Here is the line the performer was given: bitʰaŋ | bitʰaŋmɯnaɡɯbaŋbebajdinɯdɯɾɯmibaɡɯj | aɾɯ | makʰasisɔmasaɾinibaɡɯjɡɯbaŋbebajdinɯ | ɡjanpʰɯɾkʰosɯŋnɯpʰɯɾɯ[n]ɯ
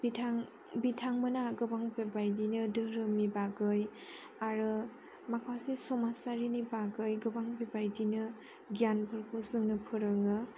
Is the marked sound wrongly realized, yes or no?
yes